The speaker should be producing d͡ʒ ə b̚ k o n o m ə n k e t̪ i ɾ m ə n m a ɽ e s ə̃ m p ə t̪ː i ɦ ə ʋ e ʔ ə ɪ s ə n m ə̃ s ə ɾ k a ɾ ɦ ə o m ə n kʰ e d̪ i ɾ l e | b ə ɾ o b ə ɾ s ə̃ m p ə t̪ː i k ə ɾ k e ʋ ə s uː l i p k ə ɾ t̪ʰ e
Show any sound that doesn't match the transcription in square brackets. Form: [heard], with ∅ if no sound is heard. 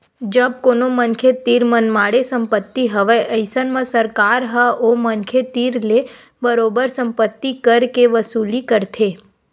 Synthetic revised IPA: d͡ʒ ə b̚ k o n o m ə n [kʰ] e t̪ i ɾ m ə n m a ɽ e s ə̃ m p ə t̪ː i ɦ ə ʋ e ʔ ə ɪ s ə n m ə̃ s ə ɾ k a ɾ ɦ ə o m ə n kʰ e [t̪] i ɾ l e | b ə ɾ o b ə ɾ s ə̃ m p ə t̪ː i k ə ɾ k e ʋ ə s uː l i [∅] k ə ɾ t̪ʰ e